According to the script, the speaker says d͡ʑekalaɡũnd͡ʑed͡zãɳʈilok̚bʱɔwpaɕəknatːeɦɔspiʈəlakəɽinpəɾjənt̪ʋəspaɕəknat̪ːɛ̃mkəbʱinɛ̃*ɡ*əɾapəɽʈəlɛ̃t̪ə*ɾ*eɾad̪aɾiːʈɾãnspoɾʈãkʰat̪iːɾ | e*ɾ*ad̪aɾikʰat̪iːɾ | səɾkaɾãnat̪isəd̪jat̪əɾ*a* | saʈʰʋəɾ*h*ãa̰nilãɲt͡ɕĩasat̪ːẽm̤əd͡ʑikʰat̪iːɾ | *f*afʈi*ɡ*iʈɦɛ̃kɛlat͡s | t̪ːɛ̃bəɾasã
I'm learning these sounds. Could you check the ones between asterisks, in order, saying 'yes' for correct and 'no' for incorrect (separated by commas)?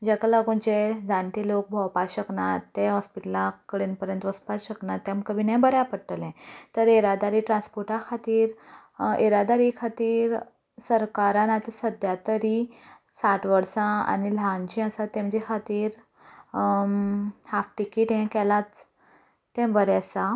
no, yes, yes, no, no, no, no